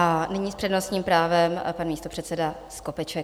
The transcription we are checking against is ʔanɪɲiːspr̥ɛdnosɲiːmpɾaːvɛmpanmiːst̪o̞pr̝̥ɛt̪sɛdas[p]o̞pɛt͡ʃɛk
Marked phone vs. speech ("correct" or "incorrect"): incorrect